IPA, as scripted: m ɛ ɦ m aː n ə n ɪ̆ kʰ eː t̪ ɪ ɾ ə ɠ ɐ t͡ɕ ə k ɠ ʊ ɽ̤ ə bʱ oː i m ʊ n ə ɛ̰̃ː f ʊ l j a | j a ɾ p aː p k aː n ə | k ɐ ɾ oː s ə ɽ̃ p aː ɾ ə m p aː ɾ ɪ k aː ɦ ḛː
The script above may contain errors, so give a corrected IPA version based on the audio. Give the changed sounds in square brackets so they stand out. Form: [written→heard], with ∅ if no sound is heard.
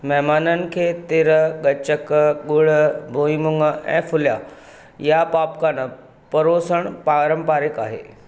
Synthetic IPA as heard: m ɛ ɦ m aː n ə n ɪ̆ kʰ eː t̪ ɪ ɾ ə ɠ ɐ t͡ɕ ə k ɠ ʊ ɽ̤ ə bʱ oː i m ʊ [n→ŋ] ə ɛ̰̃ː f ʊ l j a | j a [ɾ→∅] p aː p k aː n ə | [k→p] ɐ ɾ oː s ə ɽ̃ p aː ɾ ə m p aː ɾ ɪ k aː ɦ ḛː